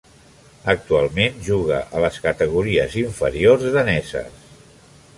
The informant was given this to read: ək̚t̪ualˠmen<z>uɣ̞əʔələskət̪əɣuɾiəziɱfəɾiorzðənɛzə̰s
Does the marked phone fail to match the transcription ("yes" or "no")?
yes